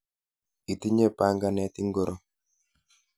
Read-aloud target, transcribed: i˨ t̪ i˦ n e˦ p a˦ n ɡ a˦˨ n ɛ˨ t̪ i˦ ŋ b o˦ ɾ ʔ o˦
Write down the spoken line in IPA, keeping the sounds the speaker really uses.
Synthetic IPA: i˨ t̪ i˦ ɲ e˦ p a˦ ŋ ɡ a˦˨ n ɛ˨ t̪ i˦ ŋ ɡ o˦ ɾ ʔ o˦